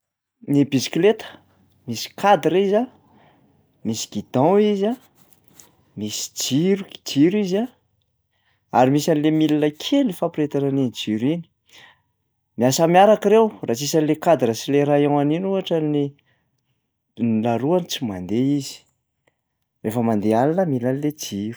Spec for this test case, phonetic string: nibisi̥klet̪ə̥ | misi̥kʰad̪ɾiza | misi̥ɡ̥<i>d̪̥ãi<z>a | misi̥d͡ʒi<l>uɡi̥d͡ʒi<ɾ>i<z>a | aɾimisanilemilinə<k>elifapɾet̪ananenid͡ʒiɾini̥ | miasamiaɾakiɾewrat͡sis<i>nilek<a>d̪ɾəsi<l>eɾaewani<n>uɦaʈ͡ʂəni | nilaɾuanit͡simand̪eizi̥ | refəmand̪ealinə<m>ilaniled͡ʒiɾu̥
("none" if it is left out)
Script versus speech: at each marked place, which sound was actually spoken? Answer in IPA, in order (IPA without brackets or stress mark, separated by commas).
i, z, ɾ, ɾ, z, kʰ, a, a, l, n, m